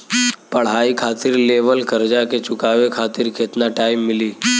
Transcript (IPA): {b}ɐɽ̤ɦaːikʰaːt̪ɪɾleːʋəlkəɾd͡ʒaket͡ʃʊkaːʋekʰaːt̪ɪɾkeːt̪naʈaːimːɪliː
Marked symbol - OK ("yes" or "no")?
no